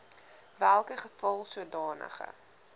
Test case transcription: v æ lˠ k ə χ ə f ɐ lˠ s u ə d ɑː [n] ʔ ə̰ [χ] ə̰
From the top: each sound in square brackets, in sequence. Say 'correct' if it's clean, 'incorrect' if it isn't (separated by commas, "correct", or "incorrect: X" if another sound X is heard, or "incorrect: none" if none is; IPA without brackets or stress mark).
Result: correct, correct